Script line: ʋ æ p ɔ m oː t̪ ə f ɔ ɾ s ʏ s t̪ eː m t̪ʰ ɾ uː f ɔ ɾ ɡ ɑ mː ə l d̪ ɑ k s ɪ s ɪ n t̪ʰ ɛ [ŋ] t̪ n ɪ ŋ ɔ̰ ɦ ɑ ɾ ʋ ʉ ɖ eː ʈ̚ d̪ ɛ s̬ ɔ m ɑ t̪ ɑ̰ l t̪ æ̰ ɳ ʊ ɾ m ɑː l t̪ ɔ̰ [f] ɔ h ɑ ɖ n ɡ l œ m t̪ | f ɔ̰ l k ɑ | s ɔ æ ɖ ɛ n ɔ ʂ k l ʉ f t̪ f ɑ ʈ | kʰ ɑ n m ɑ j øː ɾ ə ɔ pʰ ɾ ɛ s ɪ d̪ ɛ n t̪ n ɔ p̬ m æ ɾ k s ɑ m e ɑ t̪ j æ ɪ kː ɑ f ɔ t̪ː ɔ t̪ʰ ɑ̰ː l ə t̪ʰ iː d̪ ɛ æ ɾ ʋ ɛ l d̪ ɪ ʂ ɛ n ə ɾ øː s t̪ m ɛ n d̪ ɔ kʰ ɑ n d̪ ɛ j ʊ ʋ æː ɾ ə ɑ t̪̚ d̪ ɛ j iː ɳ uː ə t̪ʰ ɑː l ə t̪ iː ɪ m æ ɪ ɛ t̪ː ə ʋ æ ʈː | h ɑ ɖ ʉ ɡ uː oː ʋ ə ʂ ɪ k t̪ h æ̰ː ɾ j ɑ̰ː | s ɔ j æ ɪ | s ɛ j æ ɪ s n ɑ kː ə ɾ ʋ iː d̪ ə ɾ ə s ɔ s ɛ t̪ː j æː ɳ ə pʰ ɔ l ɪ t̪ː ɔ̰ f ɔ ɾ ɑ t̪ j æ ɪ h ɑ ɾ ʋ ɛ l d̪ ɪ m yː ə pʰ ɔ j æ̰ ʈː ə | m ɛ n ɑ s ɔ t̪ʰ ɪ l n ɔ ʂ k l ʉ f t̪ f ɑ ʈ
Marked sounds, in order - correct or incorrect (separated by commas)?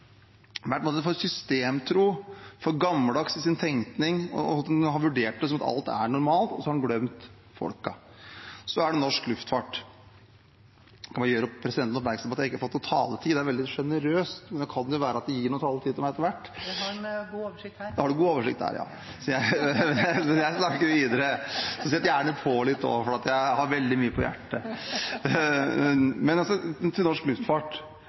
correct, incorrect